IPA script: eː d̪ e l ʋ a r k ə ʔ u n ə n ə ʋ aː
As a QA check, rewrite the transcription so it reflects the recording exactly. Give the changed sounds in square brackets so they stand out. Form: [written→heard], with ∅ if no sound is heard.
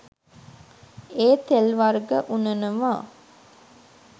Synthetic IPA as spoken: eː [d̪→t̪] e l ʋ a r [k→ɡ] ə ʔ u n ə n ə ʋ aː